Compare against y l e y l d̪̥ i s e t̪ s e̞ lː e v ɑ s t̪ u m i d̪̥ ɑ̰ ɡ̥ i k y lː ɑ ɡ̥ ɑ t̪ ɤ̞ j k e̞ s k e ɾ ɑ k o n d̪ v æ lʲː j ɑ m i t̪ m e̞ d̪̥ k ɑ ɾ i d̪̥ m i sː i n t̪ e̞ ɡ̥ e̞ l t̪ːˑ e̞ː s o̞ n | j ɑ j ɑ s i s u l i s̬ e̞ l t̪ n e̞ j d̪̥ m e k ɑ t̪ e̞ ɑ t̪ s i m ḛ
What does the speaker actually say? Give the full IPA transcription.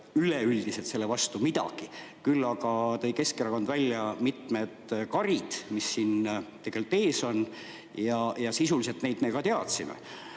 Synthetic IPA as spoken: y l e y l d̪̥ i s e t̪ s e̞ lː e v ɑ s t̪ u m i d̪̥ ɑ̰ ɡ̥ i k y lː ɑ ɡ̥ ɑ t̪ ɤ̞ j k e̞ s k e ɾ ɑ k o n d̪ v æ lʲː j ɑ m i t̪ m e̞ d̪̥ k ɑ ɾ i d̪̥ m i sː i n t̪ e̞ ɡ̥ e̞ l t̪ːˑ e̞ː s o̞ n | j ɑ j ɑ s i s u l i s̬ e̞ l t̪ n e̞ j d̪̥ m e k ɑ t̪ e̞ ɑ t̪ s i m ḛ